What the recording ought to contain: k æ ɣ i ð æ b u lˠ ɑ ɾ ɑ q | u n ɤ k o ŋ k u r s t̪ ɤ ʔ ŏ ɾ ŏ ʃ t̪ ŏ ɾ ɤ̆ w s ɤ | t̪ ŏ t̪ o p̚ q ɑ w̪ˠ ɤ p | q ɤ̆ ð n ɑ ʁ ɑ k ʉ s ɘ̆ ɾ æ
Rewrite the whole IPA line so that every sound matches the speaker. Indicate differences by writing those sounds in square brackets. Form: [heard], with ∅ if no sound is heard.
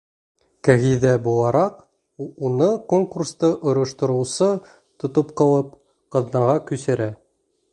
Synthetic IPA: k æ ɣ i ð æ b u lˠ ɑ ɾ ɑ q | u n ɤ k o ŋ k u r s t̪ ɤ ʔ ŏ ɾ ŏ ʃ t̪ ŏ ɾ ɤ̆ w s ɤ | t̪ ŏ t̪ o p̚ q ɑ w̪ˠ ɤ p | q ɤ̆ ð n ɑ ʁ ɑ k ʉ s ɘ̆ ɾ æ